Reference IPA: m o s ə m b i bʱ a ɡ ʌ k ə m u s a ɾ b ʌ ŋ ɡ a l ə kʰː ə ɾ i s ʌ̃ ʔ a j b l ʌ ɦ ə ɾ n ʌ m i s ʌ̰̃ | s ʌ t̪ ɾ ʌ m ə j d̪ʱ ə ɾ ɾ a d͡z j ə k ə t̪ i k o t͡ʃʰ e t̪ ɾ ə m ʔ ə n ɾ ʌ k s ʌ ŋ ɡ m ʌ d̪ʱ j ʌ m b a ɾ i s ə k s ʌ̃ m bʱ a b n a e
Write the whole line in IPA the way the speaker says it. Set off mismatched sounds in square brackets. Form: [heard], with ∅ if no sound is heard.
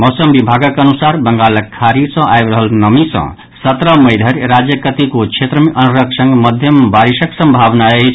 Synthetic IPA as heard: m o s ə m b i bʱ a ɡ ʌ k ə [n] u s a ɾ b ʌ ŋ ɡ a l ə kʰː [a] ɾ i s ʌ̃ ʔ a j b [ɾ] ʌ ɦ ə [l] n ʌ m i s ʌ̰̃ | s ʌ t̪ ɾ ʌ m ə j d̪ʱ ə ɾ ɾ a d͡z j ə k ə t̪ i k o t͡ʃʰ e t̪ ɾ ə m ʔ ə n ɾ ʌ k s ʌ ŋ ɡ m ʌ d̪ʱ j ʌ m b a ɾ i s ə k s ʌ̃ m bʱ a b n a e